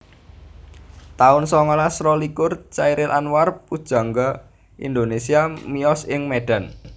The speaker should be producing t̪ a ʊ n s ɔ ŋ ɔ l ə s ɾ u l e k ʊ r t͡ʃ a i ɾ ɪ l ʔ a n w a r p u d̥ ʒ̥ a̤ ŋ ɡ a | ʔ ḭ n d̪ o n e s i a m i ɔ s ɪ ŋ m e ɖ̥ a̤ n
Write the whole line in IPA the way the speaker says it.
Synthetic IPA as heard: t̪ a ʊ n s ɔ ŋ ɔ l a s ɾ ɔ l i k ʊ r t͡ʃ a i ɾ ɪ l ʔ a n w a r p u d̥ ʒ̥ a̤ ŋ ɡ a | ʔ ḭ n d̪ o n e s i a m i ɔ s ɪ ŋ m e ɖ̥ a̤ n